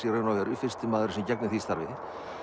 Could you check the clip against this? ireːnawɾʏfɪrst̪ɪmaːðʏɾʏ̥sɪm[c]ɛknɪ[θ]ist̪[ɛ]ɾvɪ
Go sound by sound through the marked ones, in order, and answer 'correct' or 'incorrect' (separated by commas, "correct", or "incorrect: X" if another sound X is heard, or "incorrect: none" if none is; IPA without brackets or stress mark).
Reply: correct, correct, incorrect: a